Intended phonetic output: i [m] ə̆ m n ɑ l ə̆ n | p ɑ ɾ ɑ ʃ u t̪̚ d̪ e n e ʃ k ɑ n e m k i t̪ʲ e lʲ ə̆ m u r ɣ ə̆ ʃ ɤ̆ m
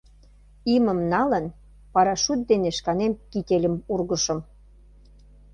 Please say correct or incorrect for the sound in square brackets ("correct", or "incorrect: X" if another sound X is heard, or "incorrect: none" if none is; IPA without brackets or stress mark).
correct